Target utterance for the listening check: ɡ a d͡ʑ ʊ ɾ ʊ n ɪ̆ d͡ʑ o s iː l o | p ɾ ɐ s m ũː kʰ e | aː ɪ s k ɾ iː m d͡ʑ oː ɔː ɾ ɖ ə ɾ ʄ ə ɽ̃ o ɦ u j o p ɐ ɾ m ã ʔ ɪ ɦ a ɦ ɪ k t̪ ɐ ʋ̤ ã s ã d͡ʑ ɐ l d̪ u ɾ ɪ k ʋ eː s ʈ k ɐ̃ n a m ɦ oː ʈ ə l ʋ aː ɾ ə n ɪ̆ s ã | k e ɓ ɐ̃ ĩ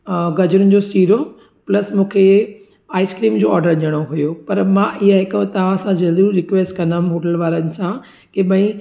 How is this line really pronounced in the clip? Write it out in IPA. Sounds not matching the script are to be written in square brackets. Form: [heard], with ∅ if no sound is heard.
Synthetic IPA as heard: ɡ [ɐ] d͡ʑ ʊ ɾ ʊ n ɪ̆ d͡ʑ o s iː [ɾ] o | p [l] ɐ s m ũː kʰ e | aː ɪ s k ɾ iː m d͡ʑ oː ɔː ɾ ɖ ə ɾ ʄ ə ɽ̃ o ɦ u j o p ɐ ɾ m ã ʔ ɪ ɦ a ɦ ɪ k t̪ ɐ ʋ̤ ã s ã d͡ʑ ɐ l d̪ u ɾ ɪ k ʋ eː s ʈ k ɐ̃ n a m ɦ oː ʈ ə l ʋ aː ɾ ə n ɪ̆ s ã | k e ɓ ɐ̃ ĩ